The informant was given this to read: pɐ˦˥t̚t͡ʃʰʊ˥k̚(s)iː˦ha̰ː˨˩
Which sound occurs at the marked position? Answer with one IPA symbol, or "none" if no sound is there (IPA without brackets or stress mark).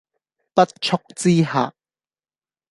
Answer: t͡s